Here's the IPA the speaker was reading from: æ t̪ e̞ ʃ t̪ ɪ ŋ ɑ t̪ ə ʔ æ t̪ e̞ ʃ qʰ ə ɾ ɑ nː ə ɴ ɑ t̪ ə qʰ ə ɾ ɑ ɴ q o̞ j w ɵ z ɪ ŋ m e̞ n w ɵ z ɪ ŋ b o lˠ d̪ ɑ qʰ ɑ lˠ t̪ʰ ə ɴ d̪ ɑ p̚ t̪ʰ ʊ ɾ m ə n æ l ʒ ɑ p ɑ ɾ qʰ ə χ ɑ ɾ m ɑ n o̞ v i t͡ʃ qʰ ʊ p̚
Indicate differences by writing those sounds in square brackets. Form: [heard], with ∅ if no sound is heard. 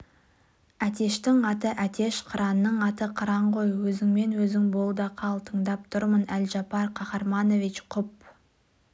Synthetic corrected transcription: æ t̪ e̞ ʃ t̪ ɪ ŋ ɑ t̪ ə ʔ æ t̪ e̞ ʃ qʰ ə ɾ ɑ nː ə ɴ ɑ t̪ ə qʰ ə ɾ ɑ ɴ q o̞ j w ɵ z ɪ ŋ m e̞ n w ɵ z ɪ ŋ b o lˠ d̪ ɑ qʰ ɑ lˠ t̪ʰ ə ɴ d̪ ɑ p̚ t̪ʰ ʊ ɾ m ə n æ l ʒ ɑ p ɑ ɾ qʰ [ɑ] χ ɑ ɾ m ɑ n o̞ v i t͡ʃ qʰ ʊ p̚